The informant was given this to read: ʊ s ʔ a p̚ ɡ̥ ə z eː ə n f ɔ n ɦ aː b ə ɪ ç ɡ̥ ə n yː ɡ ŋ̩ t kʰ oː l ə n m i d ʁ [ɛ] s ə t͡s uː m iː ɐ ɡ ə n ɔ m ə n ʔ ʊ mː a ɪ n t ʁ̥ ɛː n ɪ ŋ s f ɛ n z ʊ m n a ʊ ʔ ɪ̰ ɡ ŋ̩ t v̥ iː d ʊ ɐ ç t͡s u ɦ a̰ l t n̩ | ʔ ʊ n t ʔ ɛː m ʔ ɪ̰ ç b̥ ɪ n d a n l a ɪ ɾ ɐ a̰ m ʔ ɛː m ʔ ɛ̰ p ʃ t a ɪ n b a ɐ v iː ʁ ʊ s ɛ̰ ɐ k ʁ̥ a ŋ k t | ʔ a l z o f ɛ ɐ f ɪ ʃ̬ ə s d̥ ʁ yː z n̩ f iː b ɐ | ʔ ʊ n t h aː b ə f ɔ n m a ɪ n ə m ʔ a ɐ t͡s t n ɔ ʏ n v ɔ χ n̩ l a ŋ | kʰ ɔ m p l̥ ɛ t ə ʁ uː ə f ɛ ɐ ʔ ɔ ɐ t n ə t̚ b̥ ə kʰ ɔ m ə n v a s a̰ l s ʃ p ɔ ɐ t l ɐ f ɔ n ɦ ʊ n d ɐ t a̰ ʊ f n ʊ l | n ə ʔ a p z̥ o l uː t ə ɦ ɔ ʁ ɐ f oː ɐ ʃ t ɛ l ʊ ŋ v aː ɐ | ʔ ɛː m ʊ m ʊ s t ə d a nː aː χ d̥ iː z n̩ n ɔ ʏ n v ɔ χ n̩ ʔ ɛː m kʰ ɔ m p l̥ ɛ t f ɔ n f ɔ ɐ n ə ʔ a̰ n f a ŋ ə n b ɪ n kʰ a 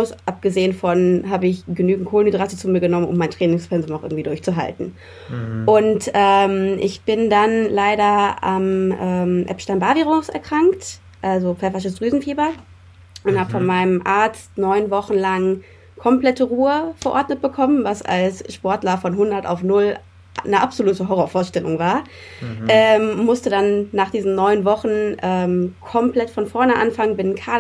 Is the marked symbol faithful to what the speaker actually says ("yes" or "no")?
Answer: no